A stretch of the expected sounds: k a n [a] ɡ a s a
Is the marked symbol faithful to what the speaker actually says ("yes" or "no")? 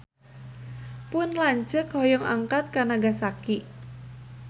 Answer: yes